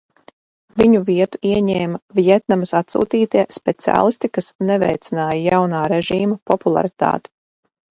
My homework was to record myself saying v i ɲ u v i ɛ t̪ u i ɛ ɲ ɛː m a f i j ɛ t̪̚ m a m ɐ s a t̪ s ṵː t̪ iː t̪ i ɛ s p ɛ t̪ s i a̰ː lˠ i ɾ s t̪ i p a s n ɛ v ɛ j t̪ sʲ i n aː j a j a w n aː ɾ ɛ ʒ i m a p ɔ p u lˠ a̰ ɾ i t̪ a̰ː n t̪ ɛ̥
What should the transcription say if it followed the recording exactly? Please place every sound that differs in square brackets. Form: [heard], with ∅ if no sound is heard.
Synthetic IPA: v i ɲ u v i ɛ t̪ u i ɛ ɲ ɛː m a [v] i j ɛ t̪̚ [n] a m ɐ s a t̪ s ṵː t̪ iː t̪ i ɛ s p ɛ t̪ s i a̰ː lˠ i [∅] s t̪ i [k] a s n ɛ v ɛ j t̪ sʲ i n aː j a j a w n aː ɾ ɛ ʒ [iː] m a p ɔ p u lˠ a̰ ɾ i t̪ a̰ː [∅] t̪ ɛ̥